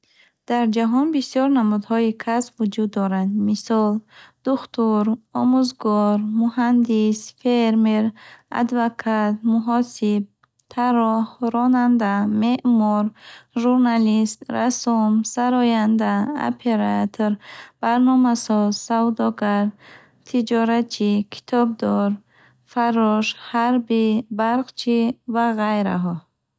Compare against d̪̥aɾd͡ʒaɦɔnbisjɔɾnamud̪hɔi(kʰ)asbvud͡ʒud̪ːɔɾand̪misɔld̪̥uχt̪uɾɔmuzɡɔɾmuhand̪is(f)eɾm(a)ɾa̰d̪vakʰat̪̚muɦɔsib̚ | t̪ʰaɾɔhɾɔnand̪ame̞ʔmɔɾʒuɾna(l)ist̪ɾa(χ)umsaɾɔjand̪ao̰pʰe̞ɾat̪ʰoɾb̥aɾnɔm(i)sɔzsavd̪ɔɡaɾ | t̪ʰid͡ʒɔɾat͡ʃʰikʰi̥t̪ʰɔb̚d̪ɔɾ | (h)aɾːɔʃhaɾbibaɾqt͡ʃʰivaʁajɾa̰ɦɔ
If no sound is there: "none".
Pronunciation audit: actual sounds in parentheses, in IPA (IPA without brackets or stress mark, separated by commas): kʰ, f, e, l, s, a, f